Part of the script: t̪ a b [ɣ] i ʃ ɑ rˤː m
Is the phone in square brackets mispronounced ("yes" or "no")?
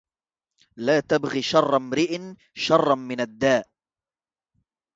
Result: no